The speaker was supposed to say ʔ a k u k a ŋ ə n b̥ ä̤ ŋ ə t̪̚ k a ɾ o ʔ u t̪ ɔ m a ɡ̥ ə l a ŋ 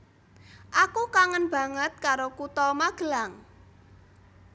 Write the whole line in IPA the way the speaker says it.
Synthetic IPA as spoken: ʔ a k u k a ŋ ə n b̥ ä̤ ŋ ə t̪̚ k a ɾ o k u t̪ ɔ m a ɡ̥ ə l a ŋ